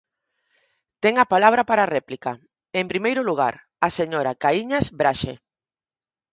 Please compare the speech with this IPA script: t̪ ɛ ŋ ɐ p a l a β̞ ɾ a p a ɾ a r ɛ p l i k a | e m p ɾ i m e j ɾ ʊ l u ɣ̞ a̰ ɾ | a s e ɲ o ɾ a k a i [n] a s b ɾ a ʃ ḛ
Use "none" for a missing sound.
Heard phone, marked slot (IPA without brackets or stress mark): ɲ